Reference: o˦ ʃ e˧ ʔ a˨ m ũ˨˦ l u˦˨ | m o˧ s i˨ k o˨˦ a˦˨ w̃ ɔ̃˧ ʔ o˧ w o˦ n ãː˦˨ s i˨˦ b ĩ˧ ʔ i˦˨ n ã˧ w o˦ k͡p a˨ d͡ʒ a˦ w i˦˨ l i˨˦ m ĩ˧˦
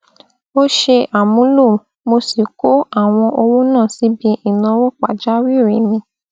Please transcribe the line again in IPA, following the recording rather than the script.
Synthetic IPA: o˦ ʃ e˧ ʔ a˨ m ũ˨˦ l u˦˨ | m o˧ s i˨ k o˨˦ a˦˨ w̃ ɔ̃˧ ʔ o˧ w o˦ n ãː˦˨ s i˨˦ b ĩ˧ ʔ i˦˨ n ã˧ w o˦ k͡p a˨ d͡ʒ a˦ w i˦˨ ɾ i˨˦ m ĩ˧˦